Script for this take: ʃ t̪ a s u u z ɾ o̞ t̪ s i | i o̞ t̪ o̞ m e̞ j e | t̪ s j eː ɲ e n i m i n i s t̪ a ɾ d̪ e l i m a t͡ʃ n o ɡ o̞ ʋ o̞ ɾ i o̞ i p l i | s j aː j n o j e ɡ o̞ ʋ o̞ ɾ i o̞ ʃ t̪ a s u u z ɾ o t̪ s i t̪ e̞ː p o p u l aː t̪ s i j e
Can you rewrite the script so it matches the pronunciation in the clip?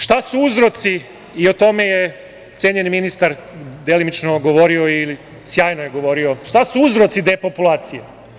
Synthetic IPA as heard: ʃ t̪ a s u u z ɾ o̞ t̪ s i | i o̞ t̪ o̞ m e̞ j e | t̪ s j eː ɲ e n i m i n i s t̪ a ɾ d̪ e l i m i t͡ʃ n o ɡ o̞ ʋ o̞ ɾ i o̞ i l i | s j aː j n o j e ɡ o̞ ʋ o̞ ɾ i o̞ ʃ t̪ a s u u z ɾ o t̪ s i d̪ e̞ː p o p u l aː t̪ s i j e